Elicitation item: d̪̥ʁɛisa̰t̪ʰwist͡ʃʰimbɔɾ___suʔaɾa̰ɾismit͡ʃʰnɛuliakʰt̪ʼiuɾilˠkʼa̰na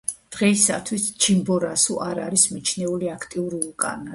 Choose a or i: a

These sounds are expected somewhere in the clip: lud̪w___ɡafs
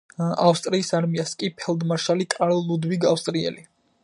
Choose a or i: i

